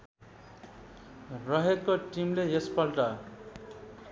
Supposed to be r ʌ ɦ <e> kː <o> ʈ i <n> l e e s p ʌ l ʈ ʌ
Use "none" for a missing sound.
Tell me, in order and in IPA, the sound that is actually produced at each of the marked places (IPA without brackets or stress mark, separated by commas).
e, o, m